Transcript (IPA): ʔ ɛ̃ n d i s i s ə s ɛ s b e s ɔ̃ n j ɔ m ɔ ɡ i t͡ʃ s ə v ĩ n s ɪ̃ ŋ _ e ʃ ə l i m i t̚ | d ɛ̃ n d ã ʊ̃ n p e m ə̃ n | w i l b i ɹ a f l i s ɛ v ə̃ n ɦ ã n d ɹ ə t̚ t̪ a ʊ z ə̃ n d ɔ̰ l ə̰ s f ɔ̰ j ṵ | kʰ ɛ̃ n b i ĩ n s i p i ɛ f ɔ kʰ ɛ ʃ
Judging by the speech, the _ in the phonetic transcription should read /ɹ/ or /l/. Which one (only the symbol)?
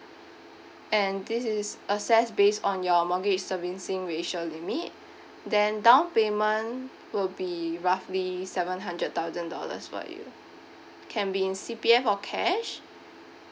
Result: ɹ